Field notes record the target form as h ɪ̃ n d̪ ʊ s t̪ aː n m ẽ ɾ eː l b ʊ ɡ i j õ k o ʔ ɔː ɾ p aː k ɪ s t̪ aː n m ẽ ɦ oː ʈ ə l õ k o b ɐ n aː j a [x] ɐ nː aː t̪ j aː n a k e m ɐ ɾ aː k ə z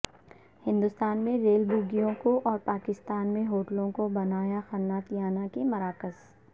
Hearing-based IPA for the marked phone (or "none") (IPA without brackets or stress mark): x